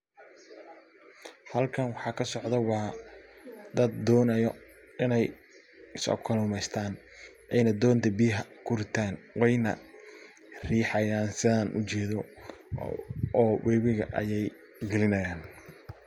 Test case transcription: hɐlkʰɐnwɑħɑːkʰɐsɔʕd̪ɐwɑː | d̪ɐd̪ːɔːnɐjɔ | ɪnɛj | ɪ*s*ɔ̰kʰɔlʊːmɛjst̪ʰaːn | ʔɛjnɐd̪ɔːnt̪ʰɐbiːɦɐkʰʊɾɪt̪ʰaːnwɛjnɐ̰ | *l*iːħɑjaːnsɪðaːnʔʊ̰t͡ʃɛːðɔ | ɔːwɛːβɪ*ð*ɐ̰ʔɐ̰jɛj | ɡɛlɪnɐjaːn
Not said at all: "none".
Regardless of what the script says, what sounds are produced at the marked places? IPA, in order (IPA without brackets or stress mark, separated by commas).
s, r, ɣ